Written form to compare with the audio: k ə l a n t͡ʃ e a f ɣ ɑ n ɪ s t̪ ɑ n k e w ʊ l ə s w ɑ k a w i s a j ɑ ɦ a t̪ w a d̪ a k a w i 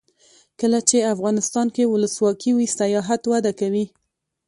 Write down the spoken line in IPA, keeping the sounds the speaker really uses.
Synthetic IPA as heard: k ə l a t͡ʃ e a f ɣ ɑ n ɪ s t̪ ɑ n k e w ʊ l ə s w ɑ k i w i s a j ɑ ɦ a t̪ w a d̪ a k a w i